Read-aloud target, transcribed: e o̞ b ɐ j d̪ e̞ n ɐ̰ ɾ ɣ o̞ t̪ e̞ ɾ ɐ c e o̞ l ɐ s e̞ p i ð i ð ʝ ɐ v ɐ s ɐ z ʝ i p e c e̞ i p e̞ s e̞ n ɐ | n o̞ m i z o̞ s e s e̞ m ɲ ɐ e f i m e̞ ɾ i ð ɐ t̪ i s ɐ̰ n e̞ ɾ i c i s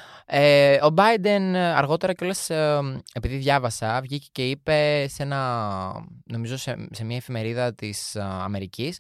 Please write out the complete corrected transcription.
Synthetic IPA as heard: e o̞ b ɐ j d̪ e̞ n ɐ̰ ɾ ɣ o̞ t̪ e̞ ɾ ɐ c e o̞ l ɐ s e̞ p i ð i ð ʝ ɐ v ɐ s ɐ v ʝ i c e c e̞ i p e̞ s e̞ n ɐ | n o̞ m i z o̞ s e s e̞ m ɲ ɐ e f i m e̞ ɾ i ð ɐ t̪ i s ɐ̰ m e̞ ɾ i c i s